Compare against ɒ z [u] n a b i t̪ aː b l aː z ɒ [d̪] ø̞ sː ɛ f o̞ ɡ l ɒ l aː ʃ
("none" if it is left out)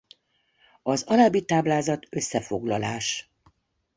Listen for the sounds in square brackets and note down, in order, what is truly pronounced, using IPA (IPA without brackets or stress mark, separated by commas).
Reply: ɒ, t̪